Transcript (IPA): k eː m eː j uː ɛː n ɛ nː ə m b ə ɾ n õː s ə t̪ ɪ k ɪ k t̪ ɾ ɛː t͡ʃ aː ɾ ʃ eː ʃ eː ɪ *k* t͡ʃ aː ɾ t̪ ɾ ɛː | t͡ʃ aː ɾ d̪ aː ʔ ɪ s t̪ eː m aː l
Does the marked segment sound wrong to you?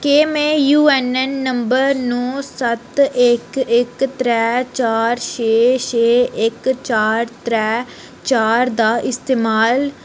no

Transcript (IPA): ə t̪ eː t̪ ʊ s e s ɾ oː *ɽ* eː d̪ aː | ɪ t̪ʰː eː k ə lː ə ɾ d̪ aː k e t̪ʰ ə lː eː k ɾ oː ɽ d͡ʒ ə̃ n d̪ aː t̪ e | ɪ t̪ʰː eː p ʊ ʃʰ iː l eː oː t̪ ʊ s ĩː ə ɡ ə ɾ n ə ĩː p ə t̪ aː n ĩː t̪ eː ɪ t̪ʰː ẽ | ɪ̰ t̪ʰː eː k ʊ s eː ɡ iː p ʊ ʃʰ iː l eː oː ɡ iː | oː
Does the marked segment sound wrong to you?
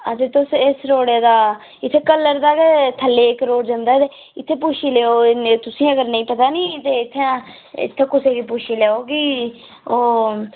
no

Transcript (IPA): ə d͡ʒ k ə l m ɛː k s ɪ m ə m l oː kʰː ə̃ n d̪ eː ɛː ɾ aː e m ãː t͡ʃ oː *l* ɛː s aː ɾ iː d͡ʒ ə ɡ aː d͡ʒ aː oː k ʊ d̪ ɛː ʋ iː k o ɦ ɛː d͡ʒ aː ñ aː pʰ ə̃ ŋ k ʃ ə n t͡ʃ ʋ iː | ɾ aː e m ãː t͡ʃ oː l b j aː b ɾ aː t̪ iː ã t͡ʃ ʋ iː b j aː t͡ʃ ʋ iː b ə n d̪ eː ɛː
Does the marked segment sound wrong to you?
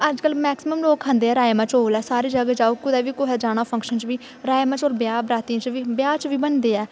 no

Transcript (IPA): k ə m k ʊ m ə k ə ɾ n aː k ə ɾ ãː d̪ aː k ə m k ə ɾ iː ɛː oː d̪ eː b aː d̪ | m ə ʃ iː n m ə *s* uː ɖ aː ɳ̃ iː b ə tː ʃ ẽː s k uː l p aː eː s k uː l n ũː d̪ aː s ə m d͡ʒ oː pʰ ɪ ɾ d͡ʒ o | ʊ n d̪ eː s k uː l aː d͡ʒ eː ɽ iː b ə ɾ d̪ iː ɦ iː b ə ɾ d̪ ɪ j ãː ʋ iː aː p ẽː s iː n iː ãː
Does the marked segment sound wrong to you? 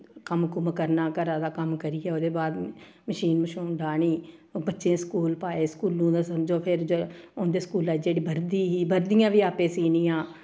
yes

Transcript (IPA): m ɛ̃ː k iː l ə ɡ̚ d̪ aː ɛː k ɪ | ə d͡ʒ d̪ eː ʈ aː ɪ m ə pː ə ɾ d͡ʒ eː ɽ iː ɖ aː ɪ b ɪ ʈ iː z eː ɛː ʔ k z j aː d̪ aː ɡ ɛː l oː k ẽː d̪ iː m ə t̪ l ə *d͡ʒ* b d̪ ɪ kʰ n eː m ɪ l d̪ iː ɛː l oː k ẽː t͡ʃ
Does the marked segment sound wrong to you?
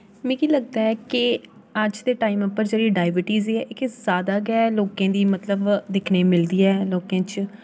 yes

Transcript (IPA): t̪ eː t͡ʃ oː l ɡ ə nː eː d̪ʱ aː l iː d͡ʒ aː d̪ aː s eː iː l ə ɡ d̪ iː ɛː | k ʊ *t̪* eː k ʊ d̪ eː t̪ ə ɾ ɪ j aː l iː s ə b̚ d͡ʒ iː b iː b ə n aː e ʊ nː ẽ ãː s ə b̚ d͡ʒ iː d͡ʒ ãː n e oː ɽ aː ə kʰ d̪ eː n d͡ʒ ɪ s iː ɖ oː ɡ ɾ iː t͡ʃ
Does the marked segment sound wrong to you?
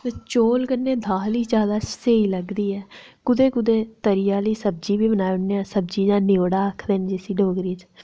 yes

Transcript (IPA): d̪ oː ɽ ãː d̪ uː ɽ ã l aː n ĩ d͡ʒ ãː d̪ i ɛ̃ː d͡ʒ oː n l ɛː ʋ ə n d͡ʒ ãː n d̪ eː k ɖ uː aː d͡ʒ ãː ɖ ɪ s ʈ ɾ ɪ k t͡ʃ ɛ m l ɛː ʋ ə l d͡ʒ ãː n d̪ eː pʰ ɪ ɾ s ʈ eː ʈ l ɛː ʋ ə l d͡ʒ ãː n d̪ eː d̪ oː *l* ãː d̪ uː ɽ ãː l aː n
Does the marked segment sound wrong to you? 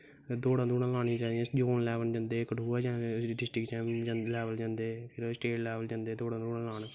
yes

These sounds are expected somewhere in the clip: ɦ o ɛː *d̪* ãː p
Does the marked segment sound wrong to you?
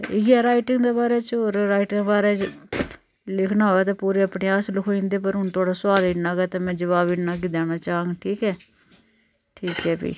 yes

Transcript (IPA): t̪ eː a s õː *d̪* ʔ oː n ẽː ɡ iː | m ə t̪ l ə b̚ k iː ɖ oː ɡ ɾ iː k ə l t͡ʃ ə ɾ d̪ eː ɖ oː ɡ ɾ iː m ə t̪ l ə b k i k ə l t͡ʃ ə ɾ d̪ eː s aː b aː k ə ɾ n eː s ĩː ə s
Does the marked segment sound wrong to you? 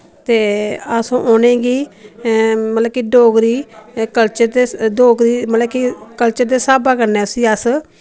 yes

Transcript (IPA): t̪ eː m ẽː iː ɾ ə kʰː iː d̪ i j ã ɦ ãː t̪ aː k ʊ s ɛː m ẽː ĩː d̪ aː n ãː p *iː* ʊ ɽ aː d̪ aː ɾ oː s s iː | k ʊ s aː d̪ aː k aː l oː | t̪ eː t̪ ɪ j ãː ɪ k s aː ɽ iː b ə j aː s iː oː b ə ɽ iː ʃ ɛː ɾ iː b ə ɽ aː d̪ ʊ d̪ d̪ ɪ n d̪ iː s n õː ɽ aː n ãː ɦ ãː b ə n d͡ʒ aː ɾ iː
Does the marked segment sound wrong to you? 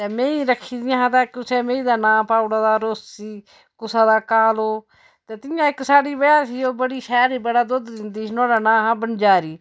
yes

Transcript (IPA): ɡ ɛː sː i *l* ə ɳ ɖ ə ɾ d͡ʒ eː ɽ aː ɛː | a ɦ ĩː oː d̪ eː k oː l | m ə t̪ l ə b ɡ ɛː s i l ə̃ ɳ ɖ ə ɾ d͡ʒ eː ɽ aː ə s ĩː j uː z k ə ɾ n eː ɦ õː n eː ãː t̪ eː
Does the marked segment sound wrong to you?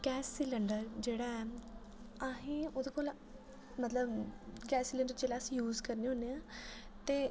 no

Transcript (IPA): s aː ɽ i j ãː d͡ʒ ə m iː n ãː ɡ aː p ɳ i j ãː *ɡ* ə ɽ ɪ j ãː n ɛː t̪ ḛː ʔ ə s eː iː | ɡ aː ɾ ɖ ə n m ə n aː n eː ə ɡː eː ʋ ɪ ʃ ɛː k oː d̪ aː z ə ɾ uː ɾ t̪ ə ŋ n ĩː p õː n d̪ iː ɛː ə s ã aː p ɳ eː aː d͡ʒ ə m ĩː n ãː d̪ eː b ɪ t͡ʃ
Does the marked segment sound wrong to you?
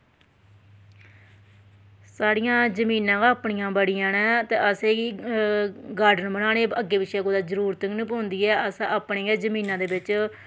yes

